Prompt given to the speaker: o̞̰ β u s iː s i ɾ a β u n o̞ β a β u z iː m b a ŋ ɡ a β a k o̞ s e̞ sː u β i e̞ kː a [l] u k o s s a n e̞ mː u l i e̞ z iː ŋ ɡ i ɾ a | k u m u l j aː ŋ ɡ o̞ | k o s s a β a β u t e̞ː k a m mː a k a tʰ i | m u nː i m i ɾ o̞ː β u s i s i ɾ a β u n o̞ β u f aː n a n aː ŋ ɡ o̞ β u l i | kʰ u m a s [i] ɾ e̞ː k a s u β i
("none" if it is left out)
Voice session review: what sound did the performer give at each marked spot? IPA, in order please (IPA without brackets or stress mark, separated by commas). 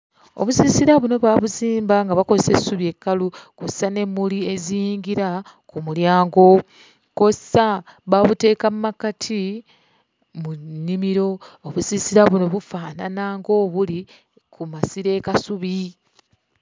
l, i